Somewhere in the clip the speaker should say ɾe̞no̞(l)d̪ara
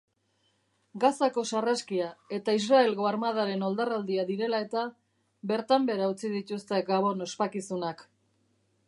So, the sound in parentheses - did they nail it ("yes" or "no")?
yes